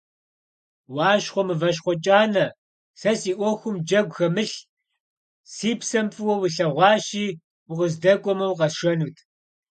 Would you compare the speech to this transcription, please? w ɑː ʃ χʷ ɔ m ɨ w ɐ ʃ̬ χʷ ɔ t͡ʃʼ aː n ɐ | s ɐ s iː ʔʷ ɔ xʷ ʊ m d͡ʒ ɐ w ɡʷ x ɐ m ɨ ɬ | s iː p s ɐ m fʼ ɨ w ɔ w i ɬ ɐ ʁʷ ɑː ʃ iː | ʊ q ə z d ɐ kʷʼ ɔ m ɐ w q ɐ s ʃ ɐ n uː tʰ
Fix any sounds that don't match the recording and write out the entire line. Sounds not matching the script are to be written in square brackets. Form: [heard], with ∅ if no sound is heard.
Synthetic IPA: w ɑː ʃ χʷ ɔ m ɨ [v] ɐ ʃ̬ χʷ ɔ t͡ʃʼ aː n ɐ | s ɐ s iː ʔʷ ɔ xʷ ʊ m d͡ʒ ɐ [∅] ɡʷ x ɐ m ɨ ɬ | s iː p s ɐ m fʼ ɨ w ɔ w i ɬ ɐ ʁʷ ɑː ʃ iː | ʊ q ə z d ɐ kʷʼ ɔ m ɐ w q ɐ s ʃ ɐ n uː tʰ

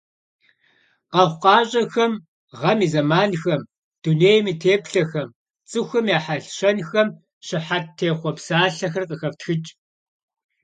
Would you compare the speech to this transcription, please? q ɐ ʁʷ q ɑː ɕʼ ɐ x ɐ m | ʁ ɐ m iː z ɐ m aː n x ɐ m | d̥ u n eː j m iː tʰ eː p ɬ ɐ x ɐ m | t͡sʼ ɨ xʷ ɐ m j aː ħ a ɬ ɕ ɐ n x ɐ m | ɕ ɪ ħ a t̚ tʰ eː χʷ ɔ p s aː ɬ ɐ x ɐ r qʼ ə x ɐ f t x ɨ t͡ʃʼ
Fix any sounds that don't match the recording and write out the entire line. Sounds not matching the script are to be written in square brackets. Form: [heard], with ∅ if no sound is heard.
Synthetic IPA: q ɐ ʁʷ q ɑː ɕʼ ɐ x ɐ m | ʁ ɐ m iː z ɐ m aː n x ɐ m | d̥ u n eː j m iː tʰ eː p ɬ ɐ x ɐ m | t͡sʼ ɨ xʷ ɐ m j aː ħ a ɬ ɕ ɐ n x ɐ m | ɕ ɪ ħ a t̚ tʰ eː χʷ ɔ p s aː ɬ ɐ x ɐ r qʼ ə x ɐ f t x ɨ t͡ʃʼ

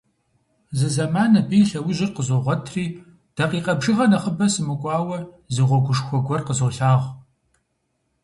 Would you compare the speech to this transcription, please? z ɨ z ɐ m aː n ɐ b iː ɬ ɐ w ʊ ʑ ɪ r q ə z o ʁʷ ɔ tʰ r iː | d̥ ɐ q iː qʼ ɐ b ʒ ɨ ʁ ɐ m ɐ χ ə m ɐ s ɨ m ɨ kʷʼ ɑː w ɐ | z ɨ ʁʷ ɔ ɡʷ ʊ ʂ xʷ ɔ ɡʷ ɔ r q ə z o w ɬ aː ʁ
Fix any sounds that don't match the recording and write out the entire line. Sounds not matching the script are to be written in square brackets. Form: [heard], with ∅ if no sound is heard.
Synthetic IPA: z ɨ z ɐ m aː n ɐ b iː ɬ ɐ w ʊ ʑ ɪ r q ə z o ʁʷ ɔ tʰ r iː | d̥ ɐ q iː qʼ ɐ b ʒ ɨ ʁ ɐ [n] ɐ χ ə [b] ɐ s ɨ m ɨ kʷʼ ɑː w ɐ | z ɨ ʁʷ ɔ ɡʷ ʊ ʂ xʷ ɔ ɡʷ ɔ r q ə z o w ɬ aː ʁ

